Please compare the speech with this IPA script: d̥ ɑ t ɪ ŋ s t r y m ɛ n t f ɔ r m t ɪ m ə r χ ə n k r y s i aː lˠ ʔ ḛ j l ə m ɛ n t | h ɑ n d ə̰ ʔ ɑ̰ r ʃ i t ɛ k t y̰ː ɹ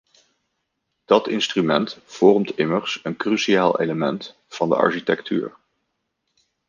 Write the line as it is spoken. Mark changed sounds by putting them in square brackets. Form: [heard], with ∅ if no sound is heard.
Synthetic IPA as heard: d̥ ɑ t ɪ [n] s t r y m ɛ n t f ɔ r m t ɪ m ə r [s] ə n k r y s i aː lˠ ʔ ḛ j l ə m ɛ n t | [f] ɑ n d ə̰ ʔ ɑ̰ [ɹ] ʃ i t ɛ k t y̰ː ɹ